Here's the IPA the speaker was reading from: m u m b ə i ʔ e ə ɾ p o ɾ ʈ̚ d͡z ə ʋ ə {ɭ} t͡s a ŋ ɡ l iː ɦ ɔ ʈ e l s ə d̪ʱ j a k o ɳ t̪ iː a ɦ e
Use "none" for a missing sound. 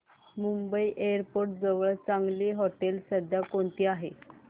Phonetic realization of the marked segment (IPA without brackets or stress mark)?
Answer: ɭ